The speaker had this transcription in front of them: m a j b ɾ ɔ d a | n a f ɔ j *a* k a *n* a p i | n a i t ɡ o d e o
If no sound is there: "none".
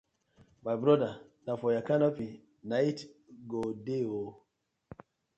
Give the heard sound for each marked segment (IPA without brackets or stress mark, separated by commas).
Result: a, n